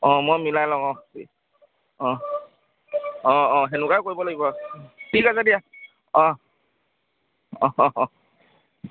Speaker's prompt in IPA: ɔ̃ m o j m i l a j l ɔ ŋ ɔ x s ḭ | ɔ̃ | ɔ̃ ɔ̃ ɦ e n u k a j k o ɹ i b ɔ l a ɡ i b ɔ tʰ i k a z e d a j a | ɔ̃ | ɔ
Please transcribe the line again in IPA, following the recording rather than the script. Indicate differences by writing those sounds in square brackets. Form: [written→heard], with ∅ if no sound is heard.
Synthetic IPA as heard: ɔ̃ m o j m i l a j l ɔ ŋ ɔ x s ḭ | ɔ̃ | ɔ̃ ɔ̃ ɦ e n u k a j k o ɹ i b ɔ l a ɡ i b ɔ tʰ i k a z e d [a→i] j a | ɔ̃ | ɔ

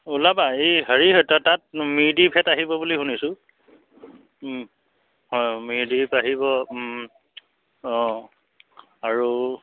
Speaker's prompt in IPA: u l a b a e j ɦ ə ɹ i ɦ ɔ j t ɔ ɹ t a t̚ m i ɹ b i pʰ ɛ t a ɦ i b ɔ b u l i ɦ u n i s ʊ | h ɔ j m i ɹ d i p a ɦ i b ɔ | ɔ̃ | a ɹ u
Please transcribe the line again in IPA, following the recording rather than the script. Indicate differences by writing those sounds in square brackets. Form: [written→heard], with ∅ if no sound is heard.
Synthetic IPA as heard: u l a b a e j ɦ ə ɹ i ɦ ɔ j t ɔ [ɹ→∅] t a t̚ m i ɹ [b→d] i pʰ ɛ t a ɦ i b ɔ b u l i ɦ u n i s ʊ | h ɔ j m i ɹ d i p a ɦ i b ɔ | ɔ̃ | a ɹ u

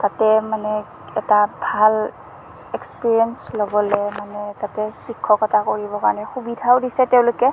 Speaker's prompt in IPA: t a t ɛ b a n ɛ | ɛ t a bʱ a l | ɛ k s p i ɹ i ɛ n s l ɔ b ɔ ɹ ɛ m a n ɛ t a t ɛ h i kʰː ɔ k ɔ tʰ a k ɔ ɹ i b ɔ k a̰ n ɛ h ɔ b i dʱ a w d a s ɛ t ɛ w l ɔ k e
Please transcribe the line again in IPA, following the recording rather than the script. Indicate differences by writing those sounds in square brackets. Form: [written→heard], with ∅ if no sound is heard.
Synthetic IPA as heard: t a t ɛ [b→m] a n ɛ | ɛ t a bʱ a l | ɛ k s p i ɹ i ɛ n s l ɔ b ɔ [ɹ→l] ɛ m a n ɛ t a t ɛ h i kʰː ɔ k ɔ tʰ a k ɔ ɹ i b ɔ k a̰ n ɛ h [ɔ→u] b i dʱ a w d [a→i] s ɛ t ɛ w l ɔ k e

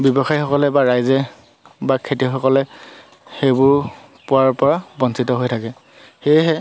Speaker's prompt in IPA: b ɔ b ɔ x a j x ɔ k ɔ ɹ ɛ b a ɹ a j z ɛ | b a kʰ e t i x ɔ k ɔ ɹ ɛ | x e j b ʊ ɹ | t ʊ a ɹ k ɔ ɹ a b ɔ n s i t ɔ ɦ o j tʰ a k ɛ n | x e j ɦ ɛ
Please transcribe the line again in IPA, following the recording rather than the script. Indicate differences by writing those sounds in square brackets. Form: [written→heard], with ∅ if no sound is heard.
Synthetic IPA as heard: b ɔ b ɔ x a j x ɔ k ɔ [ɹ→l] ɛ b a ɹ a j z ɛ | b a kʰ e t i x ɔ k ɔ [ɹ→l] ɛ | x e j b ʊ ɹ | [t→p] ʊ a ɹ [k→p] ɔ ɹ a b ɔ n s i t ɔ ɦ o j tʰ a k ɛ [n→∅] | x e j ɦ ɛ

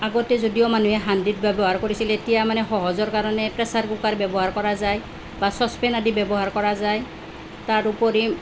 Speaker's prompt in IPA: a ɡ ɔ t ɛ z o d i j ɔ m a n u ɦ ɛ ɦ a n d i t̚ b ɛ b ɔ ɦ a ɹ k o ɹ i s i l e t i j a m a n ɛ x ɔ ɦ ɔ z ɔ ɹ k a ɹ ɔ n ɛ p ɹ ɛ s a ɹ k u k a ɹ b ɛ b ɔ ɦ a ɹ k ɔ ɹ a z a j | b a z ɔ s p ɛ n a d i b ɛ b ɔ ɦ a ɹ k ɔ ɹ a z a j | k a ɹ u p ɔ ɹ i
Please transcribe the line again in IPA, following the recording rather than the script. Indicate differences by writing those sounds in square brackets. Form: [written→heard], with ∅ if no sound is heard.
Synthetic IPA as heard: a ɡ ɔ t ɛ z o d i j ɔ m a n u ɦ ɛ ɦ a n d i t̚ b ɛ b ɔ ɦ a ɹ k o ɹ i s i l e t i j a m a n ɛ x ɔ ɦ ɔ z ɔ ɹ k a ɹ ɔ n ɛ p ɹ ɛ s a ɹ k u k a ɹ b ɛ b ɔ ɦ a ɹ k ɔ ɹ a z a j | b a [z→s] ɔ s p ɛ n a d i b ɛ b ɔ ɦ a ɹ k ɔ ɹ a z a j | [k→t] a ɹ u p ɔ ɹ i

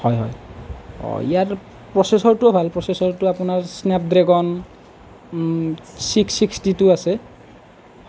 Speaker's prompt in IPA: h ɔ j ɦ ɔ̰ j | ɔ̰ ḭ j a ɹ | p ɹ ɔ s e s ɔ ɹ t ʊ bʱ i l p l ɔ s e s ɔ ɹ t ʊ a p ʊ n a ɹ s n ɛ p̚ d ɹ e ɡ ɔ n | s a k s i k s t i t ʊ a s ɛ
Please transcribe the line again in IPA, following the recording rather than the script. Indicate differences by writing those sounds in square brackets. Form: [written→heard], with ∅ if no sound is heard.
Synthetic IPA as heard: h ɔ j ɦ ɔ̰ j | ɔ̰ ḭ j a ɹ | p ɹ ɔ s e s ɔ ɹ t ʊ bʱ [i→a] l p [l→ɹ] ɔ s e s ɔ ɹ t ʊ a p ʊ n a ɹ s n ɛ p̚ d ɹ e ɡ ɔ n | s [a→i] k s i k s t i t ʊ a s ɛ

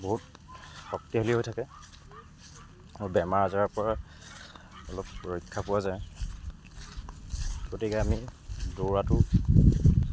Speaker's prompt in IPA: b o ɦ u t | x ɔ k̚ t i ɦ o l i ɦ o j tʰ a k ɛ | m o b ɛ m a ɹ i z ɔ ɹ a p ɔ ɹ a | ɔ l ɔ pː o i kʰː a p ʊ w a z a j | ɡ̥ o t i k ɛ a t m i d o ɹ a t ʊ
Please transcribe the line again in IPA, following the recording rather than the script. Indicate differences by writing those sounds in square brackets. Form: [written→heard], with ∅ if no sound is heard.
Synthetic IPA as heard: b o ɦ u t | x ɔ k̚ t i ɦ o l i ɦ o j tʰ a k ɛ | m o b ɛ m a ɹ [i→a] z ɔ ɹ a p ɔ ɹ a | ɔ l ɔ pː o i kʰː a p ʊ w a z a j | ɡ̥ o t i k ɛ a [t→∅] m i d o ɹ a t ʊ

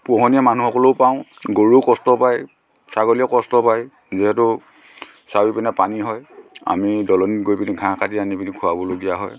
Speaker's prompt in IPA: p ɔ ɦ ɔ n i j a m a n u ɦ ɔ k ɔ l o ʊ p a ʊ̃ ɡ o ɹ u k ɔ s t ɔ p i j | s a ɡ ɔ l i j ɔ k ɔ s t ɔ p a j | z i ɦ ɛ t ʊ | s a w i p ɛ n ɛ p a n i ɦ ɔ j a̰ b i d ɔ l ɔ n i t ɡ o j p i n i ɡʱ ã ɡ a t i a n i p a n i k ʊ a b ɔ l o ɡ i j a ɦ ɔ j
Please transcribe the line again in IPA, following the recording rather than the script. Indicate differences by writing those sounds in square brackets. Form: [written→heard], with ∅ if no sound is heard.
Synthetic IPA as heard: p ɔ ɦ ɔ n i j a m a n u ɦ ɔ k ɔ l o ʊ p a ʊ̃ ɡ o ɹ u k ɔ s t ɔ p [i→a] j | s a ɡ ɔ l i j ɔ k ɔ s t ɔ p a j | z i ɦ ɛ t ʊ | s a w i p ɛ n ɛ p a n i ɦ ɔ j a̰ [b→m] i d ɔ l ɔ n i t ɡ o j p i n i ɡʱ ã [ɡ→k] a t i a n i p [a→i] n i [k→kʰ] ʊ a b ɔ l o ɡ i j a ɦ ɔ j

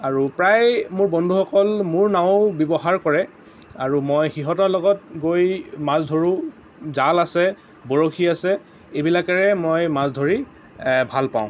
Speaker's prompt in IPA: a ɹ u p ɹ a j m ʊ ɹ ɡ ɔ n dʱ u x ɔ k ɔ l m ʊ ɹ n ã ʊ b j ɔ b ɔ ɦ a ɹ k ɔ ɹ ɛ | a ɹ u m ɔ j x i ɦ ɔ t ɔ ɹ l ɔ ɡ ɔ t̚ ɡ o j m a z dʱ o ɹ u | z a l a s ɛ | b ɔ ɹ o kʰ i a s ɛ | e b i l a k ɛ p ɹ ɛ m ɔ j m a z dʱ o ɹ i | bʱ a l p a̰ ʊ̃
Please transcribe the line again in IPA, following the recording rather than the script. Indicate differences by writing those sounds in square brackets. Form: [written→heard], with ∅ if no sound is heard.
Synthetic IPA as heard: a ɹ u p ɹ a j m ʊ ɹ [ɡ→b] ɔ n dʱ u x ɔ k ɔ l m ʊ ɹ n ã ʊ b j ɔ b ɔ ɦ a ɹ k ɔ ɹ ɛ | a ɹ u m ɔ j x i ɦ ɔ t ɔ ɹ l ɔ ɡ ɔ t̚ ɡ o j m a z dʱ o ɹ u | z a l a s ɛ | b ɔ ɹ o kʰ i a s ɛ | e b i l a k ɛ [p→∅] ɹ ɛ m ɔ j m a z dʱ o ɹ i | bʱ a l p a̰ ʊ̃

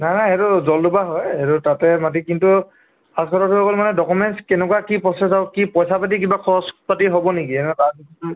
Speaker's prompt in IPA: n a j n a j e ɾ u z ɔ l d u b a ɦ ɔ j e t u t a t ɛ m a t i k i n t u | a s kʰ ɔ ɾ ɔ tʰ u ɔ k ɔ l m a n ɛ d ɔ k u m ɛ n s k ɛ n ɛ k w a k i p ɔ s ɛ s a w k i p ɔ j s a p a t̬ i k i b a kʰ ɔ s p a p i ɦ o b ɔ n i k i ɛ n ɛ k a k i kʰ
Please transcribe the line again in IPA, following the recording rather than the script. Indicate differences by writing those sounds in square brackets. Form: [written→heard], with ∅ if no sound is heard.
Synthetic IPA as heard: n a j n a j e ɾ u z ɔ l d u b a ɦ ɔ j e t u t a t ɛ m a t i k i n t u | a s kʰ ɔ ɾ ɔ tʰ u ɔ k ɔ l m a n ɛ d ɔ k u m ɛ n s k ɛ n ɛ k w a k i p ɔ s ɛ s a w k i p ɔ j s a p a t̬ i k i b a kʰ ɔ s p a [p→t] i ɦ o b ɔ n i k i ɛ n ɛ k a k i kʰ

